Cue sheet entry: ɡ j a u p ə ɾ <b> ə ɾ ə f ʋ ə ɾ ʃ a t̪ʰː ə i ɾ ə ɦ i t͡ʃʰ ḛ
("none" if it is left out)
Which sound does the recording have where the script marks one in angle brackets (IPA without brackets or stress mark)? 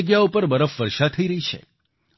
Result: b